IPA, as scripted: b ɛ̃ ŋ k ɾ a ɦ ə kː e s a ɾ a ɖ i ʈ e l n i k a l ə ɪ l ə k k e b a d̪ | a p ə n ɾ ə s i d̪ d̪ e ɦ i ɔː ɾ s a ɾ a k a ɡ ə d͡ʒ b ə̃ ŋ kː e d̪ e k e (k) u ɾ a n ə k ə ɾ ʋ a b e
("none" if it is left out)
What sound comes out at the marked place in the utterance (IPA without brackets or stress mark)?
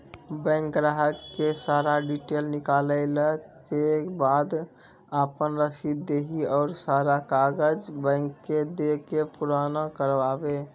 p